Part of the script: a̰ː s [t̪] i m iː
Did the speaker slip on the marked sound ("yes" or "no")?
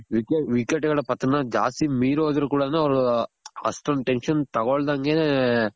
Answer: no